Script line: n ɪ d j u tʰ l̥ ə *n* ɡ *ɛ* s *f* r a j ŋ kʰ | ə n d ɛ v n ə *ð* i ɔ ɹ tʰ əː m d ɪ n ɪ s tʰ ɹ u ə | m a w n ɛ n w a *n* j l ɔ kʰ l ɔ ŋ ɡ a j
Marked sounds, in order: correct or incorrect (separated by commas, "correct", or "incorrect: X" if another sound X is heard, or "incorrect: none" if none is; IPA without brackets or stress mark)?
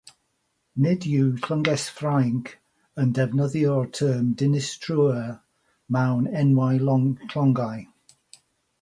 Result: incorrect: ŋ, correct, correct, correct, incorrect: none